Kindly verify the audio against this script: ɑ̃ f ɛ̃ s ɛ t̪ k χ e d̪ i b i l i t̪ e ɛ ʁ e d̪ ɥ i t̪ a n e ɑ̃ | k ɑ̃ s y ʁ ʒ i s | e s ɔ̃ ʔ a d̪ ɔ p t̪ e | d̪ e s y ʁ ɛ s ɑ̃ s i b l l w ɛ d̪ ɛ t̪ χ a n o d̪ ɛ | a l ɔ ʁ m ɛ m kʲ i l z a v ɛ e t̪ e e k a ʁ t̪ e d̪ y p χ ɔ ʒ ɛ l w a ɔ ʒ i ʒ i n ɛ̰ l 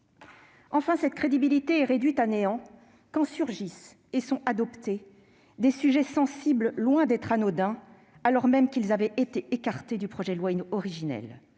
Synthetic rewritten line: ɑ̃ f ɛ̃ s ɛ t̪ k χ e d̪ i b i l i t̪ e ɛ ʁ e d̪ ɥ i t̪ a n e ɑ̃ | k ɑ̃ s y ʁ ʒ i s | e s ɔ̃ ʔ a d̪ ɔ p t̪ e | d̪ e s y ʒ ɛ s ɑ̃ s i b l l w ɛ̃ d̪ ɛ t̪ χ a n o d̪ ɛ̃ | a l ɔ ʁ m ɛ m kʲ i l z a v ɛ e t̪ e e k a ʁ t̪ e d̪ y p χ ɔ ʒ ɛ l w a ɔ ʁ i ʒ i n ɛ̰ l